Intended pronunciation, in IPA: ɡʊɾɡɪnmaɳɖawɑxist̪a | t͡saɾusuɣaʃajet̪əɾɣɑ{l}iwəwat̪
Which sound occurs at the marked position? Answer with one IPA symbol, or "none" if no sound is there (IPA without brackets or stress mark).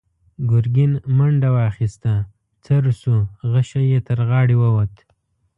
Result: ɽ